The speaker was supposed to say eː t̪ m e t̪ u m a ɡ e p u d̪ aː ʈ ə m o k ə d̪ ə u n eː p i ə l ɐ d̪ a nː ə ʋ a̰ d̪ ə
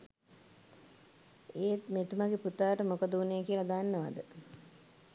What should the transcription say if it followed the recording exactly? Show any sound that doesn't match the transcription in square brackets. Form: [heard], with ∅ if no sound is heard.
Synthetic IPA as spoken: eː t̪ m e t̪ u m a ɡ e p u [t̪] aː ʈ ə m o k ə d̪ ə u n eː [k] i ə l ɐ d̪ a nː ə ʋ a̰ d̪ ə